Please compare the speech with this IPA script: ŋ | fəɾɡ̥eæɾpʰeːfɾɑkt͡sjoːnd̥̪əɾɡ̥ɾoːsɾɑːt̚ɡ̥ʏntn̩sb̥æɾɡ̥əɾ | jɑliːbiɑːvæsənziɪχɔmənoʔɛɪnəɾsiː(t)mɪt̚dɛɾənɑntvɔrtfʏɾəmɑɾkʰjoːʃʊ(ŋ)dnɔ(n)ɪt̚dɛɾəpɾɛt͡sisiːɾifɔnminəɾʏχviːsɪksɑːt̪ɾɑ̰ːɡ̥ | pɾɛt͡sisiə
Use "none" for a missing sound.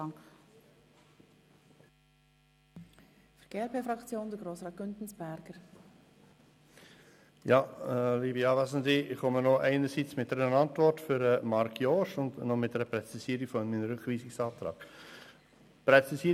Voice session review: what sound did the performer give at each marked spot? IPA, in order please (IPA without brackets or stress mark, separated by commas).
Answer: t͡s, n, m